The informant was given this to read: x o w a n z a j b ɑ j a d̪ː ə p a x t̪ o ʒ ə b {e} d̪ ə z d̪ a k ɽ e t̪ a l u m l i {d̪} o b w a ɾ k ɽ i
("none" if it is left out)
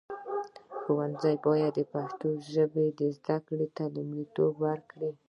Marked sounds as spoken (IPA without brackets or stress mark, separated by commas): e, t̪